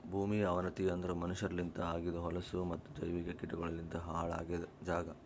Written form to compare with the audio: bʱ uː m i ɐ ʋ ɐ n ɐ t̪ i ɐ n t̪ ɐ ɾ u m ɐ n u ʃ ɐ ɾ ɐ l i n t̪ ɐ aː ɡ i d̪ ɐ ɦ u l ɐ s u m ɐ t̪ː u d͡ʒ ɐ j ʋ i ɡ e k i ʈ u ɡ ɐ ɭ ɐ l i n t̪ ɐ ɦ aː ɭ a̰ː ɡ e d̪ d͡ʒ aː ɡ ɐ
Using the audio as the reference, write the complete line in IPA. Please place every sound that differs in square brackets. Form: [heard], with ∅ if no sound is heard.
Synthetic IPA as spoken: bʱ uː m i ɐ ʋ ɐ n ɐ t̪ i ɐ n [d̪] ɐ ɾ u m ɐ n u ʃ ɐ ɾ ɐ l i n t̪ ɐ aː ɡ i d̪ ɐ ɦ [ɔ] l ɐ s u m ɐ t̪ː u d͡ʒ ɐ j ʋ i ɡ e k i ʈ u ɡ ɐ ɭ ɐ l i n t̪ ɐ ɦ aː ɭ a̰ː ɡ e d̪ d͡ʒ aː ɡ ɐ